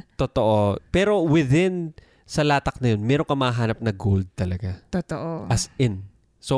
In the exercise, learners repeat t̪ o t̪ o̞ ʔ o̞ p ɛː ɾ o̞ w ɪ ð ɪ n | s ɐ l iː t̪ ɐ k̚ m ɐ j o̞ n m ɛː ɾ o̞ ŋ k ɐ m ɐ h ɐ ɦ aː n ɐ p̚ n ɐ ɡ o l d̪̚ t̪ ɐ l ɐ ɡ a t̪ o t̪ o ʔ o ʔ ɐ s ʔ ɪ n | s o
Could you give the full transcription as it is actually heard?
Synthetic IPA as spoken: t̪ o t̪ o̞ ʔ o̞ p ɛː ɾ o̞ w ɪ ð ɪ n | s ɐ l aː t̪ ɐ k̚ n ɐ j o̞ n m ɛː ɾ o̞ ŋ k ɐ m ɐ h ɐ ɦ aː n ɐ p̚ n ɐ ɡ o l d̪̚ t̪ ɐ l ɐ ɡ a t̪ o t̪ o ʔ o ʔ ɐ s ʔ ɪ n | s o